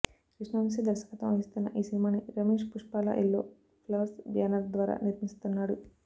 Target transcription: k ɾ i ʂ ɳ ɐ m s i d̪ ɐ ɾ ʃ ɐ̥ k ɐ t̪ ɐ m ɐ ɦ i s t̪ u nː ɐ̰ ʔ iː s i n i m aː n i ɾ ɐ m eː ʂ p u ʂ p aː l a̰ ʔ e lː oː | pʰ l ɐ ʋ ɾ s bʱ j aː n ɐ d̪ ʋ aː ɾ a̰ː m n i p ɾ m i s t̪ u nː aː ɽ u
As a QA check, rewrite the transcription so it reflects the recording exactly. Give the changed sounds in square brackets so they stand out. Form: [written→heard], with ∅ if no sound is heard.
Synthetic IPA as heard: k ɾ i ʂ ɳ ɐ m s i d̪ ɐ ɾ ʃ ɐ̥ k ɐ t̪ ɐ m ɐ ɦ i s t̪ u nː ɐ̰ ʔ iː s i n i m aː n i ɾ ɐ m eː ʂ p u ʂ p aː l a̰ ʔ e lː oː | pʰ l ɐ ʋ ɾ s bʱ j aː n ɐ d̪ ʋ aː ɾ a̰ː [m→∅] n i [p→∅] ɾ m i s t̪ u nː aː ɽ u